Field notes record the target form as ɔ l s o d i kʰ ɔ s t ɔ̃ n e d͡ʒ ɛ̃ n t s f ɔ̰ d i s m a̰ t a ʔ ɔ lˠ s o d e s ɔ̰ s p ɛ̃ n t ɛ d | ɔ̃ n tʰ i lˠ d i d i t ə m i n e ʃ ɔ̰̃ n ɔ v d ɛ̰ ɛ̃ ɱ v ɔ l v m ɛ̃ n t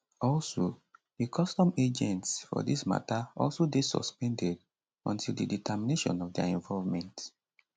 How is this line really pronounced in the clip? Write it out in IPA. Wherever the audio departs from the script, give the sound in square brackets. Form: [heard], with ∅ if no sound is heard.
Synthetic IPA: ɔ l s o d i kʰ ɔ s t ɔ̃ [m] e d͡ʒ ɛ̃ n t s f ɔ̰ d i s m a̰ t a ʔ ɔ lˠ s o d e s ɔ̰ s p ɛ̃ n [d] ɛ d | ɔ̃ n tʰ i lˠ d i d i t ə m i n e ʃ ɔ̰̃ n ɔ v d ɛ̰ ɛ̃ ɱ v ɔ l v m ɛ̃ n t